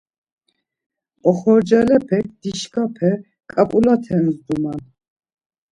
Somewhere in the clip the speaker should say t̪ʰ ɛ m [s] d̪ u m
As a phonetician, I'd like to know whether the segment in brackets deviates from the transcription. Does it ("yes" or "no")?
yes